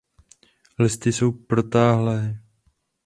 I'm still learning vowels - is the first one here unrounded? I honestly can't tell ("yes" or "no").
yes